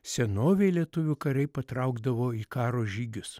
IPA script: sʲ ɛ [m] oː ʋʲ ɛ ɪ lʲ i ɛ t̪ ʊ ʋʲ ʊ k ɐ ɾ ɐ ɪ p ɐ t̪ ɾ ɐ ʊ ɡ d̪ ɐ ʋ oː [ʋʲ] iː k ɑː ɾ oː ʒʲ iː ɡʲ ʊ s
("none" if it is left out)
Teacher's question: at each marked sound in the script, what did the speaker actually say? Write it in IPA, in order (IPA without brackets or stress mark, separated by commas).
n, none